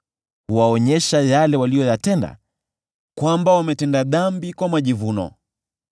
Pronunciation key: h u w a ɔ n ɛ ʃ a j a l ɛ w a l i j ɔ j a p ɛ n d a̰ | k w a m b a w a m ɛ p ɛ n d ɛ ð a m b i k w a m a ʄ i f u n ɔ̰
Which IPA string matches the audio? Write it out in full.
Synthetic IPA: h u w a ɔ ɲ ɛ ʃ a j a l ɛ w a l i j ɔ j a t ɛ n d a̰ | k w a m b a w a m ɛ t ɛ n d a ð a m b i k w a m a ʄ i v u n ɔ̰